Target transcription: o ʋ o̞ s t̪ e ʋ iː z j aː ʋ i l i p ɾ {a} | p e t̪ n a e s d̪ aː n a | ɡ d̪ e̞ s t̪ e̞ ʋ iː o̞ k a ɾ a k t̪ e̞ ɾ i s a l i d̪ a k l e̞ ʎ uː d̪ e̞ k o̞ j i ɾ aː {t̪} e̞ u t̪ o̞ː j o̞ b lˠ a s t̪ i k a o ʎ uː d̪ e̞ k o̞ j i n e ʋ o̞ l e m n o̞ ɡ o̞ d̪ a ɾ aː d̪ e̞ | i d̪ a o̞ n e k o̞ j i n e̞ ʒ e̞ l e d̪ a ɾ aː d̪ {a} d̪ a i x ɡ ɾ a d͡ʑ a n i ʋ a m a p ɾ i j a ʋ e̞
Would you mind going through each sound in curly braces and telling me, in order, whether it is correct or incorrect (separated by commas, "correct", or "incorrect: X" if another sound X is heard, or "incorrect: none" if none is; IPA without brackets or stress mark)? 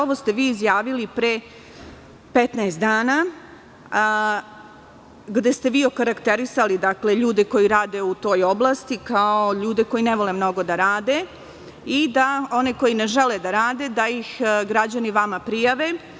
incorrect: e, incorrect: d̪, incorrect: e